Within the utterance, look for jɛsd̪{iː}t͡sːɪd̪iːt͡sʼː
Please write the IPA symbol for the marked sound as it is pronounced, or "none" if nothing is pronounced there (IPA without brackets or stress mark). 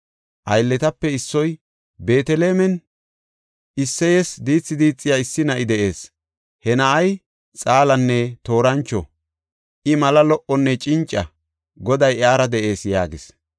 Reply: iː